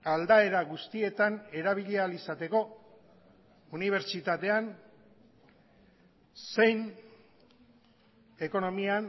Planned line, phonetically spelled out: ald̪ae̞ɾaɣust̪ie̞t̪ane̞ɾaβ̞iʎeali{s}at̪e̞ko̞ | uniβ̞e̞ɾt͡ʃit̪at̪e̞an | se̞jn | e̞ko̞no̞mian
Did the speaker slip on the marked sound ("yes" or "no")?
no